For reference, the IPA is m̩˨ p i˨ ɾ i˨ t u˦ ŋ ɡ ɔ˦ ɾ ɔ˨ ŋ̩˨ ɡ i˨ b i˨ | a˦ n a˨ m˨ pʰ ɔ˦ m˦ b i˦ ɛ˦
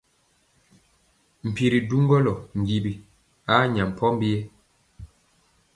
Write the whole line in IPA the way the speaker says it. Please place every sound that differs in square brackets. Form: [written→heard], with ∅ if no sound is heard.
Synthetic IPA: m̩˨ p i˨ ɾ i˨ [t→d] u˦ ŋ ɡ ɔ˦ [ɾ→l] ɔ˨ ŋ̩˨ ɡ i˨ b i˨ | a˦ [n→ɲ] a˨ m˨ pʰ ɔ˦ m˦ b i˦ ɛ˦